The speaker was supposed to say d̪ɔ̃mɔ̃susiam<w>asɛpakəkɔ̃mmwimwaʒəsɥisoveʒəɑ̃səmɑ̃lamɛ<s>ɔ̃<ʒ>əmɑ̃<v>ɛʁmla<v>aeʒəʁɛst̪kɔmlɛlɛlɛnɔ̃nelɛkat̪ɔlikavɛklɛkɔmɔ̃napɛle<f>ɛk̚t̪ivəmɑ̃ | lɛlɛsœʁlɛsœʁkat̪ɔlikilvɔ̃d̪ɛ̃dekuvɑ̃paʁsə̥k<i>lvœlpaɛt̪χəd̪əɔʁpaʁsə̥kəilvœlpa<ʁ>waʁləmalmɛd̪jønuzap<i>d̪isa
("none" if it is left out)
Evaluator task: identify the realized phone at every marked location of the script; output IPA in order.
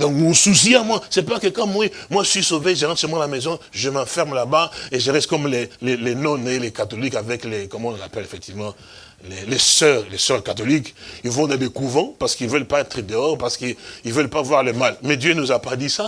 w, z, ʒ, f, b, f, i, v, a

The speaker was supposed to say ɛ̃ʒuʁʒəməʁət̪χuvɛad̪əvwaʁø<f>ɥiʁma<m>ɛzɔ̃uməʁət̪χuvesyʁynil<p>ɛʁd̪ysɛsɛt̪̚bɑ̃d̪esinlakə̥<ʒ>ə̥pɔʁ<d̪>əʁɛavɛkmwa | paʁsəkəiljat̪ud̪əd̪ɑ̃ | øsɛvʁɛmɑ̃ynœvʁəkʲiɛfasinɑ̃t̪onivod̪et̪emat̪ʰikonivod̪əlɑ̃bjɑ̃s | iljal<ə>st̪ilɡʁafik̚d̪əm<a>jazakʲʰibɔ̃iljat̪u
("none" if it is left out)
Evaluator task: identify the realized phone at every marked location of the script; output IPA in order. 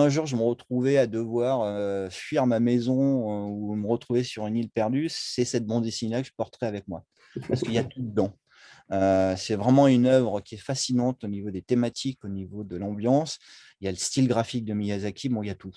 f, m, p, ʒ, t̪, ə, i

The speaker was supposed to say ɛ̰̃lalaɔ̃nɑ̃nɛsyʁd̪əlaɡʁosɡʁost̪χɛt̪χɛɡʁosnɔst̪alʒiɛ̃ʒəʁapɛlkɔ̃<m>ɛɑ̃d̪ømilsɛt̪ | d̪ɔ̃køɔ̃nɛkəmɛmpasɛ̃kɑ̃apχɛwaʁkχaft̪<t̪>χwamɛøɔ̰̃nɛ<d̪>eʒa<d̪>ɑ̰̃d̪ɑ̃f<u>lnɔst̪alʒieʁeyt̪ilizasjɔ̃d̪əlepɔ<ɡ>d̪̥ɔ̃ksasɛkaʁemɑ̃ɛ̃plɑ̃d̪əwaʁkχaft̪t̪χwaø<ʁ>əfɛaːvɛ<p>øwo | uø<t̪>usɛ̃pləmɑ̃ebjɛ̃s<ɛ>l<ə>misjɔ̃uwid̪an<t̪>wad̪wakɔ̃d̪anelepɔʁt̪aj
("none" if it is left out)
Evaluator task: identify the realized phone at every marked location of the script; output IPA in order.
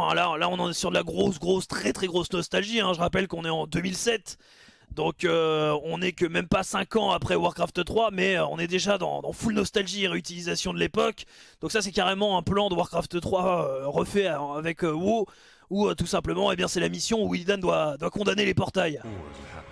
n, t̪, d̪, d̪, u, k, ʁ, k, t̪, ɛ, a, d̪

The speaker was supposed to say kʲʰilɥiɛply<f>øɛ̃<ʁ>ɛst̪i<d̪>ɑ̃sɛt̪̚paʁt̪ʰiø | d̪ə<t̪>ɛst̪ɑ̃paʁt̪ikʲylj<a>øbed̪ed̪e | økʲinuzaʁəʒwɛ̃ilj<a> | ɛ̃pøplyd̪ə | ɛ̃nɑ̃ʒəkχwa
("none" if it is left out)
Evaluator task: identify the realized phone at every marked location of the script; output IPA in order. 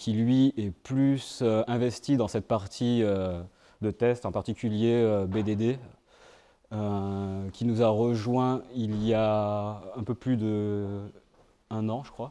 s, v, d̪, t̪, e, a

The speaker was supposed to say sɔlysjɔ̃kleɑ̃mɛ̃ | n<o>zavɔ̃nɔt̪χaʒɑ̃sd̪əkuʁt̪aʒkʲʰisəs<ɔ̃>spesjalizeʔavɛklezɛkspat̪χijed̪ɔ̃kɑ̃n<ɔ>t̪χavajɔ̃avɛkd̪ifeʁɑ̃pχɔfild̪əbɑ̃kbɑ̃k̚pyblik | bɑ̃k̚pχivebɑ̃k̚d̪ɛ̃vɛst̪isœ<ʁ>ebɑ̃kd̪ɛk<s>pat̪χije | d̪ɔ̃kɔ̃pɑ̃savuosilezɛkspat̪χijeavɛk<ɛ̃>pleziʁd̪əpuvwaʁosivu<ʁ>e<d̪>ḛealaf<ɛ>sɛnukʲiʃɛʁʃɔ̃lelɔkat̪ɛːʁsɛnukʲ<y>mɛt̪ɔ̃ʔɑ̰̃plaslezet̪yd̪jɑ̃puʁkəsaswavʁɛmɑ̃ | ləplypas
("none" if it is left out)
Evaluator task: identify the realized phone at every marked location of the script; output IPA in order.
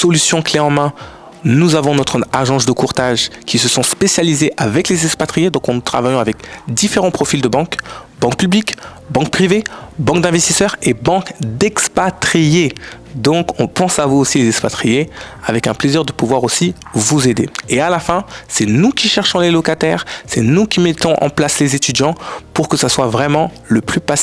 u, ɔ̃, u, ʁ, s, ɛ̃, z, d̪, ɛ̃, i

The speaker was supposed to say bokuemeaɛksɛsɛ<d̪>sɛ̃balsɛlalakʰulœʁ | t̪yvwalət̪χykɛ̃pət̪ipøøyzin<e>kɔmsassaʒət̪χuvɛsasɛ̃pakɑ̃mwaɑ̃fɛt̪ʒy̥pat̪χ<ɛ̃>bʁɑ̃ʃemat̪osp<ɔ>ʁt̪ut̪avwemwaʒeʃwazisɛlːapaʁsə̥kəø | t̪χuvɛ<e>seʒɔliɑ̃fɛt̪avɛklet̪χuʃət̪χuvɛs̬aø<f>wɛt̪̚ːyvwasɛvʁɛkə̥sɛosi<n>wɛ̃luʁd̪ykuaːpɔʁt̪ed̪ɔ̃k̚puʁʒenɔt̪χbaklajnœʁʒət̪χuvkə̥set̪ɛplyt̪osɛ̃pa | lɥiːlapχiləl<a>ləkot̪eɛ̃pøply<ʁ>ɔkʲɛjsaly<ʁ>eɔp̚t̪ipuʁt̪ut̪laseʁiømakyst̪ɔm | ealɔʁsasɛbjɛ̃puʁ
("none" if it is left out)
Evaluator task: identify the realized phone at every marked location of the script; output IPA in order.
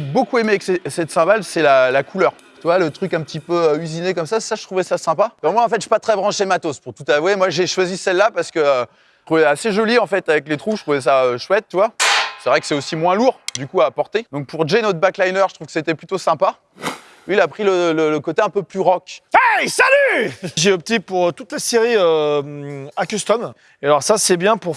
t̪, e, ɛ, u, a, ʃ, m, ə, ʁ, ʒ

